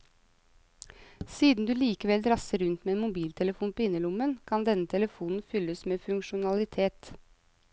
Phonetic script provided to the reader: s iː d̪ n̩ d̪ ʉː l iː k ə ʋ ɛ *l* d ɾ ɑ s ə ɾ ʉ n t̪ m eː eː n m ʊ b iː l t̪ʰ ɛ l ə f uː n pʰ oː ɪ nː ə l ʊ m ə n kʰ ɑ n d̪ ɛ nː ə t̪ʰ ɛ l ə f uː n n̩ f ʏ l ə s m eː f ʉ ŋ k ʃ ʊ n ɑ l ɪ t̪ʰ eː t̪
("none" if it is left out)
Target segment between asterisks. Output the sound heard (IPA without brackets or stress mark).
l